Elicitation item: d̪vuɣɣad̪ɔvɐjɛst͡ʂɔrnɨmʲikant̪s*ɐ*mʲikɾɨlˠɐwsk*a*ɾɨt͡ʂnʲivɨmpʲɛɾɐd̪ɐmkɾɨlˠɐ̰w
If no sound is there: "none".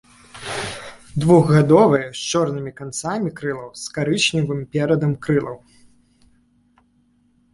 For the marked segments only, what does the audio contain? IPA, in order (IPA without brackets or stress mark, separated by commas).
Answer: a, a